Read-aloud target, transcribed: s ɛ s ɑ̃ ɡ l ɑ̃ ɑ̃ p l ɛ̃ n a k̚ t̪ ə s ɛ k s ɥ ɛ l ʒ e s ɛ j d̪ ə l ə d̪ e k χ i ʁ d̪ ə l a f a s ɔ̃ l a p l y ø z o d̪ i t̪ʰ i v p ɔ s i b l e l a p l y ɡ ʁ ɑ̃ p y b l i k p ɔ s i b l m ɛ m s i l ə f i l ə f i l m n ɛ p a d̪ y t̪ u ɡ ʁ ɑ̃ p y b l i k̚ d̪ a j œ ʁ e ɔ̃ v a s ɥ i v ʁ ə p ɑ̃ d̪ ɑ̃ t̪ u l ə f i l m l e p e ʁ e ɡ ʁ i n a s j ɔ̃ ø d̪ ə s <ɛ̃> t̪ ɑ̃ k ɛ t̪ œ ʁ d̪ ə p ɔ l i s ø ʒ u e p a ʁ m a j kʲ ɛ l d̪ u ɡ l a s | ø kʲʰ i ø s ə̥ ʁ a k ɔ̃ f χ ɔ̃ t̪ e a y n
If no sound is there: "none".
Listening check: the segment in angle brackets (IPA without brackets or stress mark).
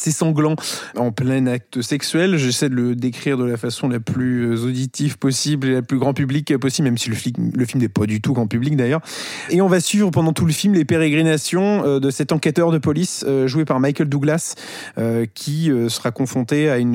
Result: ɛ